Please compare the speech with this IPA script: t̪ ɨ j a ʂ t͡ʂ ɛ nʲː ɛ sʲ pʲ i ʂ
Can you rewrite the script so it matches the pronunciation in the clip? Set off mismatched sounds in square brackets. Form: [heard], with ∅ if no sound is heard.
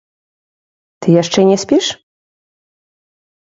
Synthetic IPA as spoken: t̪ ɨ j a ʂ t͡ʂ ɛ [nʲ] ɛ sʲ pʲ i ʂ